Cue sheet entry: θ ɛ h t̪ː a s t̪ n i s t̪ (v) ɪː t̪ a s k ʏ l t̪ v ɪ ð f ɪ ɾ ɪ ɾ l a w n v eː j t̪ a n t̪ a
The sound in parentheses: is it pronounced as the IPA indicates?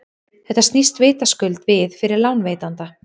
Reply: yes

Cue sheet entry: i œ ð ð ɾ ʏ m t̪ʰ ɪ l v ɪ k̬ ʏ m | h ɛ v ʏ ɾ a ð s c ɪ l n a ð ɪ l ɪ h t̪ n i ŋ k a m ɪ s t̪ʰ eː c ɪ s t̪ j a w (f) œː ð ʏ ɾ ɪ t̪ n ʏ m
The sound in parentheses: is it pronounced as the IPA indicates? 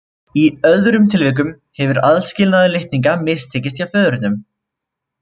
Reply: yes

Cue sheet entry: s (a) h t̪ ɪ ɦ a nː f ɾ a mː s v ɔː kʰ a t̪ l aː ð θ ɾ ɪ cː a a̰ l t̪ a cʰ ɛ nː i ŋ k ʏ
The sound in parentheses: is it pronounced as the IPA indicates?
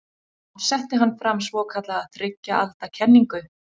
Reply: no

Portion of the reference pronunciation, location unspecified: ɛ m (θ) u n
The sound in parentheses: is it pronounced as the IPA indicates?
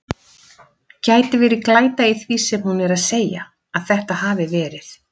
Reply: no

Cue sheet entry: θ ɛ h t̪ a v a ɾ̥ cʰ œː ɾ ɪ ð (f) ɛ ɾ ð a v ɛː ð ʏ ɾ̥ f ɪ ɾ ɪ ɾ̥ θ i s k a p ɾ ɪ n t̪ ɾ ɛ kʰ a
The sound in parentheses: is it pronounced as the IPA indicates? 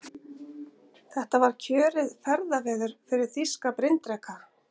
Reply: yes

